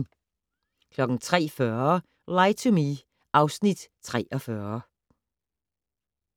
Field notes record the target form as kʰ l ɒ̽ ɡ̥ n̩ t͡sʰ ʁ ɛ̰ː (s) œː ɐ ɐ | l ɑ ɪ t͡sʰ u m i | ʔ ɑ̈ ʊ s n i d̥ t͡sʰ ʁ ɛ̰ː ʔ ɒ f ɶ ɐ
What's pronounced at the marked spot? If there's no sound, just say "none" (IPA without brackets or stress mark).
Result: f